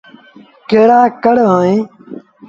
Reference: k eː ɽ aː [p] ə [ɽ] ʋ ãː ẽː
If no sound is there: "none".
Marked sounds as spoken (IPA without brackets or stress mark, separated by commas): k, ɽ